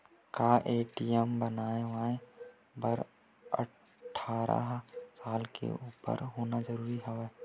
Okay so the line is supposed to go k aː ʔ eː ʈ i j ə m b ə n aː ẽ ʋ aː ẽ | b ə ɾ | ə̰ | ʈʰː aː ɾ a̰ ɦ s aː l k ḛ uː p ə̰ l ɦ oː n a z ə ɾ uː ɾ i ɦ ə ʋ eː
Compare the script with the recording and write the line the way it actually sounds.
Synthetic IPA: k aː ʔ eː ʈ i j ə m b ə n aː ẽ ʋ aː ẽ | b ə ɾ | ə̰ | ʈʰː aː ɾ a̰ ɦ s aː l k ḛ uː p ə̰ ɾ ɦ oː n a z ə ɾ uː ɾ i ɦ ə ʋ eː